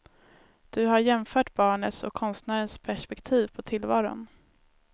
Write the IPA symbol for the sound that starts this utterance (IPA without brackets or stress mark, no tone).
d̪̥